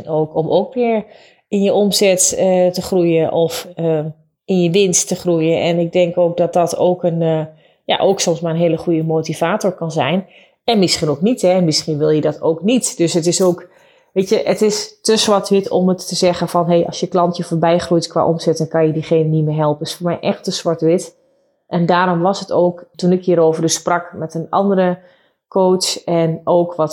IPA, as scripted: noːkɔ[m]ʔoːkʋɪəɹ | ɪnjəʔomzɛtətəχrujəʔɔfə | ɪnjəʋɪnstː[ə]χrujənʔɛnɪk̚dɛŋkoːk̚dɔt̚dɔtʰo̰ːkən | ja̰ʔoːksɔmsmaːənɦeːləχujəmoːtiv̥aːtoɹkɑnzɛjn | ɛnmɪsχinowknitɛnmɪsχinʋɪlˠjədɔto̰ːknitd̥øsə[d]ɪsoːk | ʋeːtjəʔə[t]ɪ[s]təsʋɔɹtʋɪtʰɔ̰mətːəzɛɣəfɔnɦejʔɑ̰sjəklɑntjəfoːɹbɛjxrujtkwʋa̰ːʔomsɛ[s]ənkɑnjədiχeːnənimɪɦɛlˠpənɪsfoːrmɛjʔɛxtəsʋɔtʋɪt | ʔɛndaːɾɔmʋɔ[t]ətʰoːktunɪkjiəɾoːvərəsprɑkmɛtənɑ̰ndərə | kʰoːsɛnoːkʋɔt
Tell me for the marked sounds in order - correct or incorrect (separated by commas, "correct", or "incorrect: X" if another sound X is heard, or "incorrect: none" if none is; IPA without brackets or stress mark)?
correct, correct, incorrect: t, correct, correct, incorrect: t, incorrect: s